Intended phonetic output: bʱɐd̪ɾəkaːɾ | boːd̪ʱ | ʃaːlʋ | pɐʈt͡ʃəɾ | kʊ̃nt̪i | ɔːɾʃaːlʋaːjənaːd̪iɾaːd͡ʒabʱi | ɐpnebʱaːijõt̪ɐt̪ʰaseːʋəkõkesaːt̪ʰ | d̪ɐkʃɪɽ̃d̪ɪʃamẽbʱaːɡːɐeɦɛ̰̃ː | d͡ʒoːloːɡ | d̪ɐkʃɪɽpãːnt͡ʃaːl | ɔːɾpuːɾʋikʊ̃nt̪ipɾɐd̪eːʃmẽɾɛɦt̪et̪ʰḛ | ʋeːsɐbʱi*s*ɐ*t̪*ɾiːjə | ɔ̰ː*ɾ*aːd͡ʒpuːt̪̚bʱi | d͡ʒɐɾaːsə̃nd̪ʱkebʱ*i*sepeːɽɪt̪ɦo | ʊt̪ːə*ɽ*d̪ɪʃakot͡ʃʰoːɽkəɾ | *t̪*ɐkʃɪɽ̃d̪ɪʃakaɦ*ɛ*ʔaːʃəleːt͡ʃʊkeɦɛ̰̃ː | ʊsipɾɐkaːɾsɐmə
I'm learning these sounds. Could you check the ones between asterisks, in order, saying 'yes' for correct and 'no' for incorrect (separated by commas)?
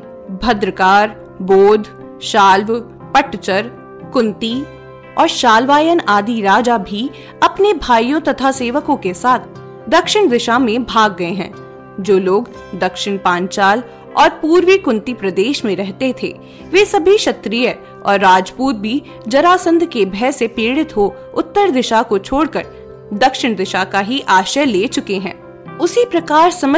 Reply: no, yes, no, no, no, no, no